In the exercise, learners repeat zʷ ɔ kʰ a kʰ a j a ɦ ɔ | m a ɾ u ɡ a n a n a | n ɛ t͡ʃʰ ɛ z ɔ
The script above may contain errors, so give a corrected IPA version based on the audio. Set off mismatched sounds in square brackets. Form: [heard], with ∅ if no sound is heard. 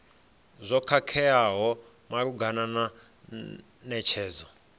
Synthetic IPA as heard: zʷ ɔ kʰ a kʰ [ɛ] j a ɦ ɔ | m a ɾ u ɡ a n a n a | n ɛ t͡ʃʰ [ɛː] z ɔ